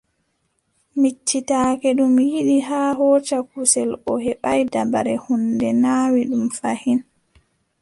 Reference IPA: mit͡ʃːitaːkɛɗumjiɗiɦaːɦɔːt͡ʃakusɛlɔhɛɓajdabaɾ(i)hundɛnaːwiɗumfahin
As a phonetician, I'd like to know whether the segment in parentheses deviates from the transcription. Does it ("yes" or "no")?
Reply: yes